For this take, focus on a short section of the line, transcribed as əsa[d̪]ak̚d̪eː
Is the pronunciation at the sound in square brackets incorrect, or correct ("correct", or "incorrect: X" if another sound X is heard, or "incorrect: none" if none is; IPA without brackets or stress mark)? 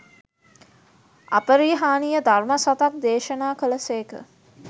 incorrect: t̪